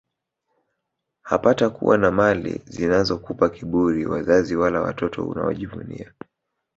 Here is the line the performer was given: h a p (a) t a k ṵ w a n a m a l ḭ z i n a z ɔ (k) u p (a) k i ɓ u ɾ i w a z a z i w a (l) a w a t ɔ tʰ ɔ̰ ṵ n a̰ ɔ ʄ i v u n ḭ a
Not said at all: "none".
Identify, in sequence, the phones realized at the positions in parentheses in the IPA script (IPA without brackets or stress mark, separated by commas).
a, k, a, l